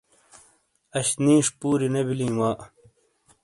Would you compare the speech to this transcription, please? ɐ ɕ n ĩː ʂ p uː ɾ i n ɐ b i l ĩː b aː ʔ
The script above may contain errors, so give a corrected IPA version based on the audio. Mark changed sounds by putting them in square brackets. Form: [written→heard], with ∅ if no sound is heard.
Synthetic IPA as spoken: ɐ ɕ n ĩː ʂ p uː ɾ i n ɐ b i l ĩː [b→w] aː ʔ